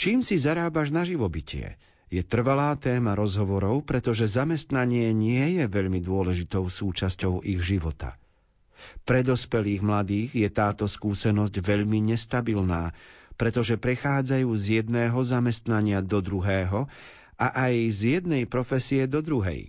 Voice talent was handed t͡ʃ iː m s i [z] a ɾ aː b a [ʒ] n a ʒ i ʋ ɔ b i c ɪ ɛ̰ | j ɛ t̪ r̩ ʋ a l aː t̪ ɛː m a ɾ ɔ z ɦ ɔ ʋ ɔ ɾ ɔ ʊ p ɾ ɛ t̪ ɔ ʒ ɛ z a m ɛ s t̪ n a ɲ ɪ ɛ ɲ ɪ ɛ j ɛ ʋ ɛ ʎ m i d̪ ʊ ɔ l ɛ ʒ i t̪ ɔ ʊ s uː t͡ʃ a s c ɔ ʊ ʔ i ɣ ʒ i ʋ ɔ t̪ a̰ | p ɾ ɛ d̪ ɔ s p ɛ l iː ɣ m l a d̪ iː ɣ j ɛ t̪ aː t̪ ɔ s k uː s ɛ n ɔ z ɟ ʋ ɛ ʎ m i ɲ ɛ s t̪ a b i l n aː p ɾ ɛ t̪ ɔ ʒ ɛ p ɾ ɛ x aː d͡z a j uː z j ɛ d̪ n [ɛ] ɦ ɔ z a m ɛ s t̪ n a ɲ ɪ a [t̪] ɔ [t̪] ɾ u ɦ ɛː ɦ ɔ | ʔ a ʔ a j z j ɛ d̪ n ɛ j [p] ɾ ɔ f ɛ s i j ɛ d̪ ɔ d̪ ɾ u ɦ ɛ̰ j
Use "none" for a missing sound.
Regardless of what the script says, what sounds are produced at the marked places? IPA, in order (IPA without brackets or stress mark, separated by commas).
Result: z, ʒ, ɛː, d̪, d̪, p